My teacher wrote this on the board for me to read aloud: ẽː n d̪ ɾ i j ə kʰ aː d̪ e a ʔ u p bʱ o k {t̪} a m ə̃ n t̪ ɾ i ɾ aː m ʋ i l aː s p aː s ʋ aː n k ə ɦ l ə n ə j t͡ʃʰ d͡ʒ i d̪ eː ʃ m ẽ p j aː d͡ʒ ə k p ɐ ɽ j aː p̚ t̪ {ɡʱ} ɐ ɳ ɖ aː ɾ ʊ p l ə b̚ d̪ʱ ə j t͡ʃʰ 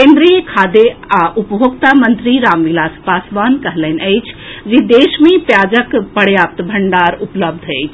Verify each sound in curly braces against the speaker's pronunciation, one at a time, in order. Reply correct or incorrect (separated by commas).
correct, incorrect